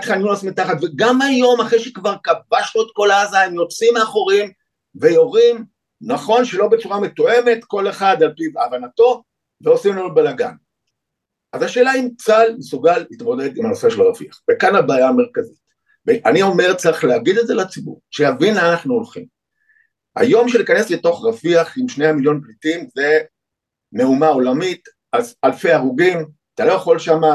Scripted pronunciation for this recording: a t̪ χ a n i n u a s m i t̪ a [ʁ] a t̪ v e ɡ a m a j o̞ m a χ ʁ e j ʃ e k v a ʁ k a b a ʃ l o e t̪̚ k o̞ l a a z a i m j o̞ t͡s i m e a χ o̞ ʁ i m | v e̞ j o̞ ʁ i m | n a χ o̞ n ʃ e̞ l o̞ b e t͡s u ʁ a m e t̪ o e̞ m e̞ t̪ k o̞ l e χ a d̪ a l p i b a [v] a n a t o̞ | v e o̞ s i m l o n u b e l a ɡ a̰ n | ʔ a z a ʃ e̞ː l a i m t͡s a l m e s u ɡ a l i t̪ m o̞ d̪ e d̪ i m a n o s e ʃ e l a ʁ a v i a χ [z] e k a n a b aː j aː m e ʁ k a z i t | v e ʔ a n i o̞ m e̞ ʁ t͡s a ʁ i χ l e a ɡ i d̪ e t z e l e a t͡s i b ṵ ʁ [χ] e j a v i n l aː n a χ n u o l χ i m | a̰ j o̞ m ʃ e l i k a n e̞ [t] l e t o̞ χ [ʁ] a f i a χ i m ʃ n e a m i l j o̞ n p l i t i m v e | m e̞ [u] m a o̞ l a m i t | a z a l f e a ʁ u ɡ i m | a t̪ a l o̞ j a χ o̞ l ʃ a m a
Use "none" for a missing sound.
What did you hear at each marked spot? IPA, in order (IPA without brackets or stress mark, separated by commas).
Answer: χ, v, v, ʃ, s, ʁ, u